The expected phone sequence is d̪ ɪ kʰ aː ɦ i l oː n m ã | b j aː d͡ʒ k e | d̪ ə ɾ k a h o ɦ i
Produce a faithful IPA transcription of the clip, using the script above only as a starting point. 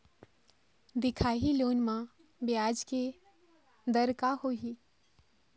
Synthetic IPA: d̪ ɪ kʰ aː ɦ i l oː n m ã | b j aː d͡ʒ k e | d̪ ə ɾ k a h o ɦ i